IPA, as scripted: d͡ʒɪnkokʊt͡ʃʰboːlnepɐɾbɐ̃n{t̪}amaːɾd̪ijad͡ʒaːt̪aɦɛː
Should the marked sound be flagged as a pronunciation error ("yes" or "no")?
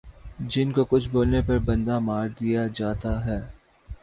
yes